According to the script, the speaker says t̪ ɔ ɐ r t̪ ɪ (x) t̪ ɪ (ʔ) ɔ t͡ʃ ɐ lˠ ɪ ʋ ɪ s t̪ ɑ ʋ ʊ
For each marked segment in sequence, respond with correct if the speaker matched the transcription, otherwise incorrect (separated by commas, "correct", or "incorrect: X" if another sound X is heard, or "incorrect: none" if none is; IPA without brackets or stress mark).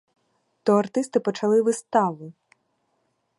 incorrect: s, incorrect: p